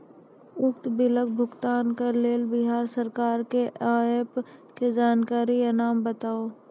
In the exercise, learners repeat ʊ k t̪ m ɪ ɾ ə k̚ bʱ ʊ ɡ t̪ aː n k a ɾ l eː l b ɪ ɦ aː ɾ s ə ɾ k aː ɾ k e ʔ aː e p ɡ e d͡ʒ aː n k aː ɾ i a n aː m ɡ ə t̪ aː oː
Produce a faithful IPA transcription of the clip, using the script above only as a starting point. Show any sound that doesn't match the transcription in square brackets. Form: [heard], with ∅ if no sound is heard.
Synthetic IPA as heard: ʊ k t̪ [b] ɪ [l] ə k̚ bʱ ʊ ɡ t̪ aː n k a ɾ l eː l b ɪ ɦ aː ɾ s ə ɾ k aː ɾ k e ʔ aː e p [k] e d͡ʒ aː n k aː ɾ i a n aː m [b] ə t̪ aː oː